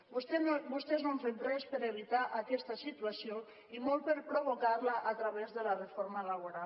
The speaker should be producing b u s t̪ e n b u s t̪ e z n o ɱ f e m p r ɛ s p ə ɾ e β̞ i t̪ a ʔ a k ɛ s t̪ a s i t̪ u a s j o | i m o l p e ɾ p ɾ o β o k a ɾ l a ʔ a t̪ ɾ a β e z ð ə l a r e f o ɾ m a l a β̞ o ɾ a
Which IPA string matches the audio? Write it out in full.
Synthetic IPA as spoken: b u s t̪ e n b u s t̪ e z n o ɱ f e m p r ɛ s p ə ɾ e β̞ i t̪ a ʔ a k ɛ s t̪ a s i t̪ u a s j o | i m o l p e ɾ p ɾ o β o k a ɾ l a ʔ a t̪ ɾ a β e z ð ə l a r e f o ɾ m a l a β̞ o ɾ a